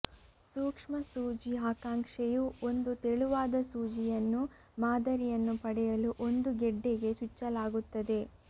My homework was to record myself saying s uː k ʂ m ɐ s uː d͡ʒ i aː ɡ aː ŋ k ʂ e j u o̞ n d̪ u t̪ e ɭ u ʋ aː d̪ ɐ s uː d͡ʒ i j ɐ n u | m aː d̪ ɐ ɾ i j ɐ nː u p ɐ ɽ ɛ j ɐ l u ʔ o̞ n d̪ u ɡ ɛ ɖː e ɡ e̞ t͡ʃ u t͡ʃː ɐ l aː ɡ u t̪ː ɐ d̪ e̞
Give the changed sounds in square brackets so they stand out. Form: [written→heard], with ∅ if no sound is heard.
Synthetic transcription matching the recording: s uː k ʂ m ɐ s uː d͡ʒ i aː [ɡ→k] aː ŋ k ʂ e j u o̞ n d̪ u t̪ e ɭ u ʋ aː d̪ ɐ s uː d͡ʒ i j ɐ [n→nː] u | m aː d̪ ɐ ɾ i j ɐ nː u p ɐ ɽ ɛ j ɐ l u ʔ o̞ n d̪ u ɡ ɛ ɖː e ɡ e̞ t͡ʃ u t͡ʃː ɐ l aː ɡ u t̪ː ɐ d̪ e̞